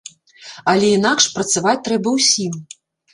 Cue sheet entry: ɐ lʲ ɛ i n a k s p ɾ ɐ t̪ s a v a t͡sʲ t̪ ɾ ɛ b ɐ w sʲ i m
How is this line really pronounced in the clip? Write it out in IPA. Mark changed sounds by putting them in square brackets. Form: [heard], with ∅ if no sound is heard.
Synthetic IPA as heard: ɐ lʲ ɛ i n a k [ʂ] p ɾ ɐ t̪ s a v a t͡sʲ t̪ ɾ ɛ b ɐ w sʲ i m

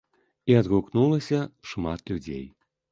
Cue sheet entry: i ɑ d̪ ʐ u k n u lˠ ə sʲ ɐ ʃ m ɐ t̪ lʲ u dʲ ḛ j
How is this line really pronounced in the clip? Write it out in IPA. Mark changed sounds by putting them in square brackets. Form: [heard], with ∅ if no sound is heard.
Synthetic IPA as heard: i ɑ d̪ [ɣ] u k n u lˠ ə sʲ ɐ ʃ m [ɑ] t̪ lʲ u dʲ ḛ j

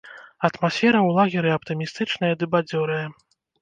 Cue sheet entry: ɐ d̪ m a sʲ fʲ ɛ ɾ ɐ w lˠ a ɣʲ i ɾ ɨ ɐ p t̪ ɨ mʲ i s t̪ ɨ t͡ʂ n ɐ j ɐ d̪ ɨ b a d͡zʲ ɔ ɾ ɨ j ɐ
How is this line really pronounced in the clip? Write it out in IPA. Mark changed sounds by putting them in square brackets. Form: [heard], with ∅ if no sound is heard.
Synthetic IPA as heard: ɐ [t̪] m a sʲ fʲ ɛ ɾ ɐ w lˠ a ɣʲ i ɾ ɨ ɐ p t̪ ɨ mʲ i s t̪ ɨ t͡ʂ n ɐ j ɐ d̪ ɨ b a d͡zʲ ɔ ɾ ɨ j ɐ

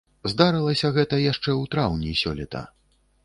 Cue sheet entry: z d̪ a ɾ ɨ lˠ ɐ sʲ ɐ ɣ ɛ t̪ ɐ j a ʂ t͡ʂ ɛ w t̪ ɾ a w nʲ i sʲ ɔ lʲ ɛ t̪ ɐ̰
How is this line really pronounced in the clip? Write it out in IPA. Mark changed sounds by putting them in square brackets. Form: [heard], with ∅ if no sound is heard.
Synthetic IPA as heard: z d̪ a ɾ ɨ lˠ ɐ sʲ ɐ ɣ ɛ t̪ ɐ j a ʂ t͡ʂ ɛ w t̪ ɾ a w nʲ i sʲ ɔ lʲ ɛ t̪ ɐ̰

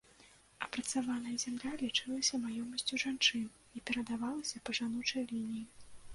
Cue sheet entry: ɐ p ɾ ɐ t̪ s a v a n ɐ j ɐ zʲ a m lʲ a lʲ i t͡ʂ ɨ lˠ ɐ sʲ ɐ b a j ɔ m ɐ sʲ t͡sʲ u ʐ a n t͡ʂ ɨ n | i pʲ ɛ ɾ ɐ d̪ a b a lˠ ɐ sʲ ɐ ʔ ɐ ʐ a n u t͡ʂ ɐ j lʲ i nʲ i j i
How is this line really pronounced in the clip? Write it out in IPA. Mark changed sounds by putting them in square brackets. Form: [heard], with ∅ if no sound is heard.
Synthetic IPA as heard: ɐ p ɾ ɐ t̪ s a v a n ɐ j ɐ zʲ a m lʲ a lʲ i t͡ʂ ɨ lˠ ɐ sʲ ɐ [m] a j ɔ m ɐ sʲ t͡sʲ u ʐ a n t͡ʂ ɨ n | i pʲ ɛ ɾ ɐ d̪ a [v] a lˠ ɐ sʲ ɐ [p] ɐ ʐ a n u t͡ʂ ɐ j lʲ i nʲ i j i

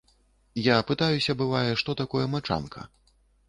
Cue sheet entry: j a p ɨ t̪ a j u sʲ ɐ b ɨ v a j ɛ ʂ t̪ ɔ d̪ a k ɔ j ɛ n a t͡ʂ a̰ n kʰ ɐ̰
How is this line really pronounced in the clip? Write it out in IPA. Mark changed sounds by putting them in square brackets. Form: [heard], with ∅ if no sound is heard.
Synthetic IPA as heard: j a p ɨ t̪ a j u sʲ ɐ b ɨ v a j ɛ ʂ t̪ ɔ [t̪] a k ɔ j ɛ [m] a t͡ʂ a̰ n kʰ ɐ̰

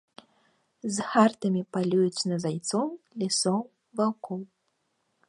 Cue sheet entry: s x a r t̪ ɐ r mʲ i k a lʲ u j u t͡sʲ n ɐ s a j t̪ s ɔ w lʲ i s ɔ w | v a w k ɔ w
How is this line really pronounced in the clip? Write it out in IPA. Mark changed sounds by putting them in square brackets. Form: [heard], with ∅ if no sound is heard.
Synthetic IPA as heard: [z] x a r t̪ ɐ [∅] mʲ i [p] a lʲ u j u t͡sʲ n ɐ [z] a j t̪ s ɔ w lʲ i s ɔ w | v a w k ɔ w

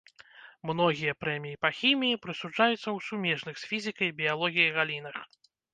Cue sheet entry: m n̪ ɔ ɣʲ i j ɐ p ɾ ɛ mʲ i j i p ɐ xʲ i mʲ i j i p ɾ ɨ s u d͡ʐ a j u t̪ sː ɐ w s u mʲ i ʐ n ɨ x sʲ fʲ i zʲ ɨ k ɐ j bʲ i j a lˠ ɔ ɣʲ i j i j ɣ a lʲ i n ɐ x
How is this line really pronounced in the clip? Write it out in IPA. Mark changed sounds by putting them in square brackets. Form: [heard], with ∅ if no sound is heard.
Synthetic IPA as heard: m n̪ ɔ ɣʲ i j ɐ p ɾ ɛ mʲ i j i p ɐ xʲ i mʲ i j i p ɾ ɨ s u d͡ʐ a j u t̪ sː ɐ w s u mʲ [ɛ] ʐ n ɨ x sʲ fʲ i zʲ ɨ k ɐ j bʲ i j a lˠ ɔ ɣʲ i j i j ɣ a lʲ i n ɐ x

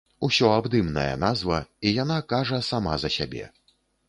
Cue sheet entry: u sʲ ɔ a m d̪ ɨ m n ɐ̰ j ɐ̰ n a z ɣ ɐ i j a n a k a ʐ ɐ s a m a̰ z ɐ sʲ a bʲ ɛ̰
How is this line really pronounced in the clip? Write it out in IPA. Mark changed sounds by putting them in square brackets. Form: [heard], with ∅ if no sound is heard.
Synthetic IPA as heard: u sʲ ɔ a [b] d̪ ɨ m n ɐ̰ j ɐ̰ n a z [v] ɐ i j a n a k a ʐ ɐ s a m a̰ z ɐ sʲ a bʲ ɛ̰

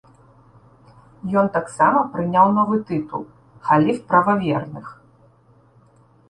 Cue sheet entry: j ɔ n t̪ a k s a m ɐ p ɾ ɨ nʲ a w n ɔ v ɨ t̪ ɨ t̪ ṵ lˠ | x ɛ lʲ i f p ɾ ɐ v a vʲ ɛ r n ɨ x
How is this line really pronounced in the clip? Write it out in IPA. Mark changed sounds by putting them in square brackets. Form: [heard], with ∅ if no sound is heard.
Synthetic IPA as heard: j ɔ n t̪ a k s a m ɐ p ɾ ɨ nʲ a w n ɔ v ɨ t̪ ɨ t̪ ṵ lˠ | x [a] lʲ i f p ɾ ɐ v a vʲ ɛ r n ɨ x

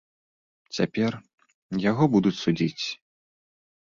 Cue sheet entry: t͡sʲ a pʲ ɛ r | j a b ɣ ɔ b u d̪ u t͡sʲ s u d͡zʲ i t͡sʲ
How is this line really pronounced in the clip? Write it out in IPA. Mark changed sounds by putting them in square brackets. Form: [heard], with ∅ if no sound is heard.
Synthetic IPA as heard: t͡sʲ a pʲ ɛ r | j a [∅] ɣ ɔ b u d̪ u t͡sʲ s u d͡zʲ i t͡sʲ

